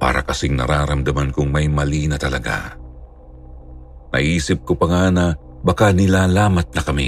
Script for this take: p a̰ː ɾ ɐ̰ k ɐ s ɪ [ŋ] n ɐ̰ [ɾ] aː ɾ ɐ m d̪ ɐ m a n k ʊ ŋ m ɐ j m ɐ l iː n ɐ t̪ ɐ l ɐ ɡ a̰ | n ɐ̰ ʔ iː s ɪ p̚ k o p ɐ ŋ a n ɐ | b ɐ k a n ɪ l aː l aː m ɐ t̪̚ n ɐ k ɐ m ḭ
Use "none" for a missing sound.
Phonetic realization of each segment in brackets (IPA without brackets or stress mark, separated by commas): ŋ, ɾ